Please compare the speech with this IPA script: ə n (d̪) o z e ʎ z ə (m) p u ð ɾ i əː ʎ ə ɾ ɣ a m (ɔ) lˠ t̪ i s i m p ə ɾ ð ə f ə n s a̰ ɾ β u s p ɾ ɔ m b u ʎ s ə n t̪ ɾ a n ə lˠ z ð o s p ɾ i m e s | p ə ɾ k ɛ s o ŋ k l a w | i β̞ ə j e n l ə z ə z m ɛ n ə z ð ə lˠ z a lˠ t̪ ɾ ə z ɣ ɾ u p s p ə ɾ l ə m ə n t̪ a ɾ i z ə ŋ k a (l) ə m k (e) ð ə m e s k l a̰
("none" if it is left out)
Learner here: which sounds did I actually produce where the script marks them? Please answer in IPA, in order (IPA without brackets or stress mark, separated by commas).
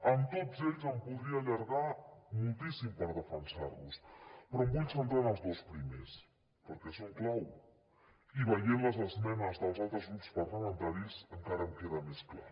t̪, m, u, ɾ, e